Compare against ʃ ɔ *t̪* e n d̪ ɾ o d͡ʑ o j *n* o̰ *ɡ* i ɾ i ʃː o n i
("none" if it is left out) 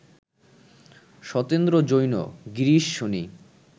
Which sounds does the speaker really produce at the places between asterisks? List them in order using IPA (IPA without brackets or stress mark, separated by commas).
t̪, n, ɡ